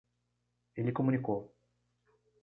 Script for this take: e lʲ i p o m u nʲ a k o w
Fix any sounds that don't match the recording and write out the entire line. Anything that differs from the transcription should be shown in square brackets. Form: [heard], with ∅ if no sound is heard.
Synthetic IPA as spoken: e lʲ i [k] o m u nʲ [i] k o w